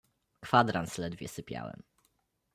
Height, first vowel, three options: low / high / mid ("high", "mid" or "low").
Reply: low